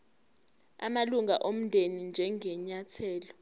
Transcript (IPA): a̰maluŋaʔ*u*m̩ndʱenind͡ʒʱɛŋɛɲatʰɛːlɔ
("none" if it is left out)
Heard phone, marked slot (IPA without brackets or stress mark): o